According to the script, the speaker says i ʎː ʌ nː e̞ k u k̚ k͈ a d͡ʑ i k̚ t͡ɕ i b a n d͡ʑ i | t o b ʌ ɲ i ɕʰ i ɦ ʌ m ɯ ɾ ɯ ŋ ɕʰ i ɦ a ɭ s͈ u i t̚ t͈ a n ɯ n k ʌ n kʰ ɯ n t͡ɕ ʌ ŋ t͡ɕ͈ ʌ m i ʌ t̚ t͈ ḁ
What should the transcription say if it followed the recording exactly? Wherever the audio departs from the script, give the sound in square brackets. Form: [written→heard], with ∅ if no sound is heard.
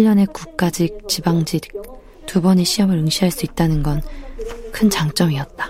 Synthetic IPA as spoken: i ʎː ʌ [nː→n] e̞ k u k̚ k͈ a d͡ʑ i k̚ t͡ɕ i b a [n→ŋ] d͡ʑ i | t [o→u] b ʌ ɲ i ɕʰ i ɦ ʌ m ɯ ɾ ɯ ŋ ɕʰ i ɦ a ɭ s͈ u i t̚ t͈ a n ɯ n [k→ɡ] ʌ n kʰ ɯ n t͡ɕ [ʌ→a] ŋ t͡ɕ͈ ʌ m i ʌ t̚ t͈ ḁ